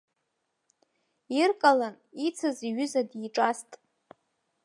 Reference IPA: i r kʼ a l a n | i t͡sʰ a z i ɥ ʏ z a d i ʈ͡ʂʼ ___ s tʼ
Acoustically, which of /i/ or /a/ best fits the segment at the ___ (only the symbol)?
a